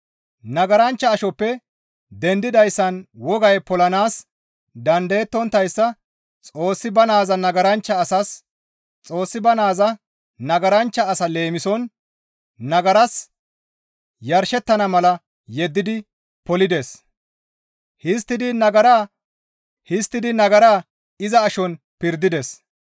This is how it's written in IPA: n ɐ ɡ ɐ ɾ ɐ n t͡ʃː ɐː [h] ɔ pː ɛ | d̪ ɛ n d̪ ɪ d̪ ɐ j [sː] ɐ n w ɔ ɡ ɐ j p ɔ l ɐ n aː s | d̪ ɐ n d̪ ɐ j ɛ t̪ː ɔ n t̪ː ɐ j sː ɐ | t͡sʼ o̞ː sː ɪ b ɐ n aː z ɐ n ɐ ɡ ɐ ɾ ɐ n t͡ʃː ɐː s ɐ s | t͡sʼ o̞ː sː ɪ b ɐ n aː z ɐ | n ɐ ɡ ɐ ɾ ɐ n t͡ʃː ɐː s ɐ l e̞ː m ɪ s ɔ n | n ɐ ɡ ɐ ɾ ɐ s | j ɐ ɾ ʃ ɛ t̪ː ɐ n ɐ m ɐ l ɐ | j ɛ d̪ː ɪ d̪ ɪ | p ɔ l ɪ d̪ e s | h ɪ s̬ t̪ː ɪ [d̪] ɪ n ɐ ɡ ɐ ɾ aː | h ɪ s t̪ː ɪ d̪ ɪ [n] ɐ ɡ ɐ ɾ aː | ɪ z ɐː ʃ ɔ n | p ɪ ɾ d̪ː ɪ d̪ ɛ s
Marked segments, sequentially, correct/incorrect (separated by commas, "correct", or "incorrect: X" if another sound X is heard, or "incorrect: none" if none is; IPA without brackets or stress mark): incorrect: ʃ, correct, correct, correct